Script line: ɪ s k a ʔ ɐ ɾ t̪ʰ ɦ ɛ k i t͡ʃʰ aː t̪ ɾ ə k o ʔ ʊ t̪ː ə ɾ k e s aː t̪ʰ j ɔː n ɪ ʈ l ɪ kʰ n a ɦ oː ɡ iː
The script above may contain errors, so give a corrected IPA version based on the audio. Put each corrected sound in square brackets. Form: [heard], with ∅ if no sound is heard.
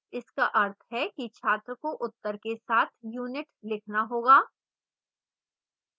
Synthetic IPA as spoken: ɪ s k a ʔ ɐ ɾ t̪ʰ ɦ ɛ k i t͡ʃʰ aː t̪ ɾ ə k o ʔ ʊ t̪ː ə ɾ k e s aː t̪ʰ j [uː] n ɪ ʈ l ɪ kʰ n a ɦ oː ɡ [aː]